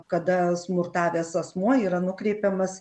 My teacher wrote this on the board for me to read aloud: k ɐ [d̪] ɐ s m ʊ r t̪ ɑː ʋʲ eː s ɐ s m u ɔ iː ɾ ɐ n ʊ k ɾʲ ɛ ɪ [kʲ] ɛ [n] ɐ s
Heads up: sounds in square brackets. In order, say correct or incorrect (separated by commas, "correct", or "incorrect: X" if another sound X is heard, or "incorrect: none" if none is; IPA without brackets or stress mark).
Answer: correct, incorrect: pʲ, incorrect: m